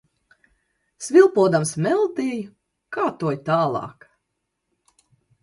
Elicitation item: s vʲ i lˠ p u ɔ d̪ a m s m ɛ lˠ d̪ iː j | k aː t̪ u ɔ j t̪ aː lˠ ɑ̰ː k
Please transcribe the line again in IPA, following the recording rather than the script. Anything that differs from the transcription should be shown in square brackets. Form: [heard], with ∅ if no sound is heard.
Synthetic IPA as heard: s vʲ i lˠ p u ɔ d̪ a m s m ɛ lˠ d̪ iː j | k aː t̪ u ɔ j t̪ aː lˠ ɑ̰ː k